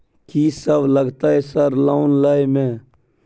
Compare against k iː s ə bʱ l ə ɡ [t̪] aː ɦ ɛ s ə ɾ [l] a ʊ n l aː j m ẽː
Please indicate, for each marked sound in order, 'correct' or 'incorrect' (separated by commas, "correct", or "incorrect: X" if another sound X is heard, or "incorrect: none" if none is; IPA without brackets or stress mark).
correct, correct